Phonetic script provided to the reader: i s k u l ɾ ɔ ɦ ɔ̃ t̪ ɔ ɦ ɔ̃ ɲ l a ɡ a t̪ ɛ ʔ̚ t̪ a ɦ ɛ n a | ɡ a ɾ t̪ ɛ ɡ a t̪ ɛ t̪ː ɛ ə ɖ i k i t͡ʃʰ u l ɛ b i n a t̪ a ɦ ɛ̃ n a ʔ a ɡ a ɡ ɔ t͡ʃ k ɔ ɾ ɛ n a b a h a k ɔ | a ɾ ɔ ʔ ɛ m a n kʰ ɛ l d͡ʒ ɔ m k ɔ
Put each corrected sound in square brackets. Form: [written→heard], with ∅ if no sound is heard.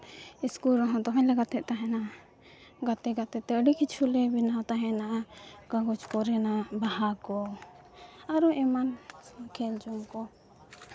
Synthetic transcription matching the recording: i s k u l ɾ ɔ ɦ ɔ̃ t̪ ɔ ɦ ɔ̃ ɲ l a ɡ a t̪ ɛ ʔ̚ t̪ a ɦ ɛ n a | ɡ a [ɾ→∅] t̪ ɛ ɡ a t̪ ɛ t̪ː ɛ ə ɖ i k i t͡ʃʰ u l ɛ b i n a t̪ a ɦ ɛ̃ n a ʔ a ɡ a ɡ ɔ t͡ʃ k ɔ ɾ ɛ n a b a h a k ɔ | a ɾ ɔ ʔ ɛ m a n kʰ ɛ l d͡ʒ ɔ m k ɔ